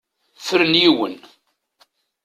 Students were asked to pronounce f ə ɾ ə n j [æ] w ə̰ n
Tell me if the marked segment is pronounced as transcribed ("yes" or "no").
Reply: no